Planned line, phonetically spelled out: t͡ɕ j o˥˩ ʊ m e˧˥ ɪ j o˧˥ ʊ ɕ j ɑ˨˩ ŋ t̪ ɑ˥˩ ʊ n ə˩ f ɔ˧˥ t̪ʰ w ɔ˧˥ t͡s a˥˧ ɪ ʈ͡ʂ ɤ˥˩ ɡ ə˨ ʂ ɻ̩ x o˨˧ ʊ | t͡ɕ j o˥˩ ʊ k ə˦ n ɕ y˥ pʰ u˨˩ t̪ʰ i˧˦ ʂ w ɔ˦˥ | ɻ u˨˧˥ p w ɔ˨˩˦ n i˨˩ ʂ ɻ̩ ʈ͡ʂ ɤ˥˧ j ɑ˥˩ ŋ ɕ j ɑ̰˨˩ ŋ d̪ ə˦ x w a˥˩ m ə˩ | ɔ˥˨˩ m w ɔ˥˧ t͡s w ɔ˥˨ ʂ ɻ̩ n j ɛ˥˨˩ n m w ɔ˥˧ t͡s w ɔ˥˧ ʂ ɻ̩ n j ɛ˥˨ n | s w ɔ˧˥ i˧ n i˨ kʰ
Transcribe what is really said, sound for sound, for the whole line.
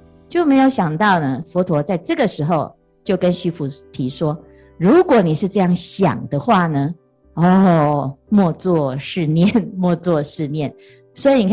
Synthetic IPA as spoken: t͡ɕ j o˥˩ ʊ m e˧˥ ɪ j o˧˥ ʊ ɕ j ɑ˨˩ ŋ t̪ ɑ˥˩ ʊ n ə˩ f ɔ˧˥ t̪ʰ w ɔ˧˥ t͡s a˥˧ ɪ ʈ͡ʂ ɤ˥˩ ɡ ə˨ ʂ ɻ̩ x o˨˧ ʊ | t͡ɕ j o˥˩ ʊ k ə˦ n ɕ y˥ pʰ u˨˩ t̪ʰ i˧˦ ʂ w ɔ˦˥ | ɻ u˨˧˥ k w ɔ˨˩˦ n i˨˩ ʂ ɻ̩ ʈ͡ʂ ɤ˥˧ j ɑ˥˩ ŋ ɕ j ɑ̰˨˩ ŋ d̪ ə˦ x w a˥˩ n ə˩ | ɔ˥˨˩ m w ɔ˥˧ t͡s w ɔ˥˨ ʂ ɻ̩ n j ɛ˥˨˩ n m w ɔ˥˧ t͡s w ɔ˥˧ ʂ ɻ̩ n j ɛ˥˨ n | s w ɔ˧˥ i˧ n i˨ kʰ